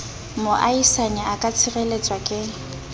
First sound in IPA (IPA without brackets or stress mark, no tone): m